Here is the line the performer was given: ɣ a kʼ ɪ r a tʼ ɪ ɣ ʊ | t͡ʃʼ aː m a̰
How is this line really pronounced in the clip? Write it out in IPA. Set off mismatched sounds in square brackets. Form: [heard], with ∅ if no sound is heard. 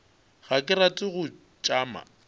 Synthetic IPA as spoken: ɣ a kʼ ɪ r a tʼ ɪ ɣ ʊ | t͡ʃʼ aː m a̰